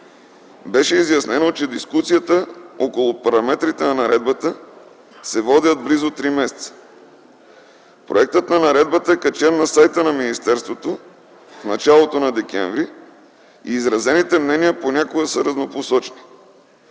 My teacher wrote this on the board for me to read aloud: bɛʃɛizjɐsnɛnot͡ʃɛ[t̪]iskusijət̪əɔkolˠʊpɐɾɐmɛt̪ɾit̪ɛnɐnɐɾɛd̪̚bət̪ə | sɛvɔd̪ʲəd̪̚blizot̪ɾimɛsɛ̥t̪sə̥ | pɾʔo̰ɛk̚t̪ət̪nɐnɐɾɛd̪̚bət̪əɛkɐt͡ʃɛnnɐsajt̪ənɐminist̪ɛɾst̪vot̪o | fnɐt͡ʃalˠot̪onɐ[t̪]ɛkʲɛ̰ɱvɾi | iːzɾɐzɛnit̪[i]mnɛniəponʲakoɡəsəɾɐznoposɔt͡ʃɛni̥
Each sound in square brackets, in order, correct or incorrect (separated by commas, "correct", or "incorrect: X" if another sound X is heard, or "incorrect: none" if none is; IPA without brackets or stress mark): incorrect: d̪, incorrect: d̪, incorrect: ɛ